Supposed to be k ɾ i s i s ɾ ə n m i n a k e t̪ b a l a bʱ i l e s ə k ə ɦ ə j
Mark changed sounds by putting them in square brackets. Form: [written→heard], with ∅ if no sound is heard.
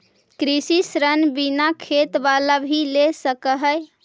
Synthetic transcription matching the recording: k ɾ i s i s ɾ ə n [m→b] i n a [k→kʰ] e t̪ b a l a bʱ i l e s ə k ə ɦ ə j